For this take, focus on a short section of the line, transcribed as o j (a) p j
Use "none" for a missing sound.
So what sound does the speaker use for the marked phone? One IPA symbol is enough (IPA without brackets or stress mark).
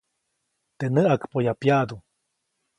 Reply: a